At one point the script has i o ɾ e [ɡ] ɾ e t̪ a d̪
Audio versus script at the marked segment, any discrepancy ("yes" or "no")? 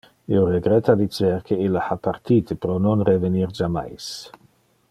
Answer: no